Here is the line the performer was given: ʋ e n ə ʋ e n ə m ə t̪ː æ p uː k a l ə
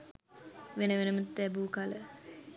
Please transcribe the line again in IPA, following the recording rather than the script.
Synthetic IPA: ʋ e n ə ʋ e n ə m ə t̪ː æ b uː k a l ə